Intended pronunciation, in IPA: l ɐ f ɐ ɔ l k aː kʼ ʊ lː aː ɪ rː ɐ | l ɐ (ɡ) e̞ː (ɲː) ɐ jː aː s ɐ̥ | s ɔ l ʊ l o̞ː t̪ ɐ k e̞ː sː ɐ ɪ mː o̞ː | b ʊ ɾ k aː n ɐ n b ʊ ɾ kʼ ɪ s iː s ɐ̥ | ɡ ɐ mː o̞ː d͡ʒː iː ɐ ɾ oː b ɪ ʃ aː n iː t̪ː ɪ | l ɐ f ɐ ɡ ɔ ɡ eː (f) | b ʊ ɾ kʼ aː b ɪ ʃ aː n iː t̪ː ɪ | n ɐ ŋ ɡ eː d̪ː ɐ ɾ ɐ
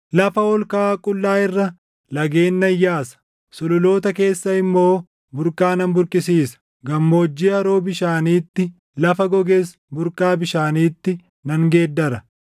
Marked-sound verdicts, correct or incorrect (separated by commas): correct, incorrect, incorrect